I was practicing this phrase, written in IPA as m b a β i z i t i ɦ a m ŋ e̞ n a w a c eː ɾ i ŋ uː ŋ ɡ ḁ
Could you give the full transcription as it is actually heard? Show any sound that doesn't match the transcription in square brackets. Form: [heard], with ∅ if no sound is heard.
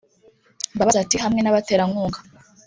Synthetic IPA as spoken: m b a β [a] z [a] t i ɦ a m ŋ e̞ n a [β] a [t] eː ɾ [a] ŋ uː ŋ ɡ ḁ